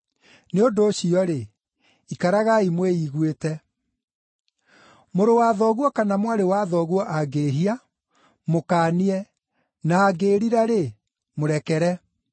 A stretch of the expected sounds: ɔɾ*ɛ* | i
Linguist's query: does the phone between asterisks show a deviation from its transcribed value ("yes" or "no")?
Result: yes